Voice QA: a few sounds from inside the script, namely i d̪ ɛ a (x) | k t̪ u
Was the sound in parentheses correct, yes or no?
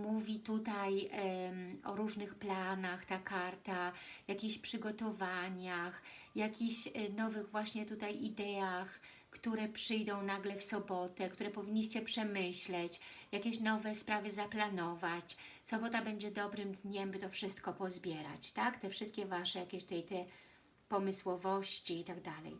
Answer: yes